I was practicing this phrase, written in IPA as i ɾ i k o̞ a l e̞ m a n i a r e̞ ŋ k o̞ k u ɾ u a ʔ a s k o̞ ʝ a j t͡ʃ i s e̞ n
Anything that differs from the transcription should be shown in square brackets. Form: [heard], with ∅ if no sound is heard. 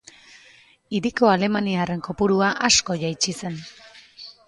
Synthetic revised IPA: i ɾ i k o̞ a l e̞ m a n i a r e̞ ŋ k o̞ [p] u ɾ u a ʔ a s k o̞ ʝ a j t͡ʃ i s e̞ n